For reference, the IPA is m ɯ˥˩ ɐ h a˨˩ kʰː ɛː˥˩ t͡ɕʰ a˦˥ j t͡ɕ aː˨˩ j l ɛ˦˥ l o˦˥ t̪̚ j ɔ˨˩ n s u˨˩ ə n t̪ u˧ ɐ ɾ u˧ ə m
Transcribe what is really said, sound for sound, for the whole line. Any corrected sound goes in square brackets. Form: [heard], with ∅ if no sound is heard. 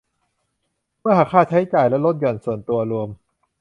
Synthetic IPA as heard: m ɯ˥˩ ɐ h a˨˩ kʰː [aː˥˩] t͡ɕʰ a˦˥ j t͡ɕ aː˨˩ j l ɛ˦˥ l o˦˥ t̪̚ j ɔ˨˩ n s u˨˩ ə n t̪ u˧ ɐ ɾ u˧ ə m